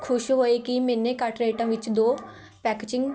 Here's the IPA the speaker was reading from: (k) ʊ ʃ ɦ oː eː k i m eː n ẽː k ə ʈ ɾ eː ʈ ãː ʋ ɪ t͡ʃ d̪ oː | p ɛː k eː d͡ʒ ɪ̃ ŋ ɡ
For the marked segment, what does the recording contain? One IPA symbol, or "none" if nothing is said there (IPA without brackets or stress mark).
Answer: kʰ